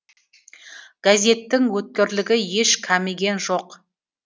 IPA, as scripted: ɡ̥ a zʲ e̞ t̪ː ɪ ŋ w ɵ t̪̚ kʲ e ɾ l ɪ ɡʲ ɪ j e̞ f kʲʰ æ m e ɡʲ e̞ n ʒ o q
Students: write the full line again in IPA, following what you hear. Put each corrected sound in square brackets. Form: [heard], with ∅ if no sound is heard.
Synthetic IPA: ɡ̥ a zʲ e̞ t̪ː ɪ ŋ w ɵ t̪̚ kʲ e ɾ l ɪ ɡʲ ɪ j e̞ [ʃ] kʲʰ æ m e ɡʲ e̞ n ʒ o q